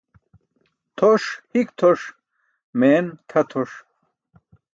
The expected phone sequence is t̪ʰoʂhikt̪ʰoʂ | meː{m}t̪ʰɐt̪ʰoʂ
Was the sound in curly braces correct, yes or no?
no